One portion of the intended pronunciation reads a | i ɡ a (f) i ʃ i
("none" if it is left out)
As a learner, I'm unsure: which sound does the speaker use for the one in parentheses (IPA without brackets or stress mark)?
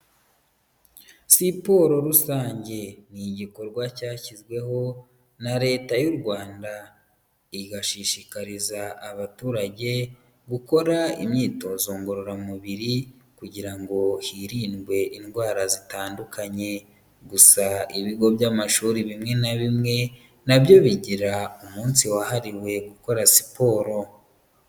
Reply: ʃ